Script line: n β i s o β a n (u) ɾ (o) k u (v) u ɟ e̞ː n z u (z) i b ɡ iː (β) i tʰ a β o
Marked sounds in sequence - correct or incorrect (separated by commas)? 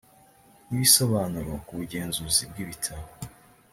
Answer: correct, correct, incorrect, correct, correct